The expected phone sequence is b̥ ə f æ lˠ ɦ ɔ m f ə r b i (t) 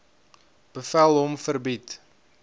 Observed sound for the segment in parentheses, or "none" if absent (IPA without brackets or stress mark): t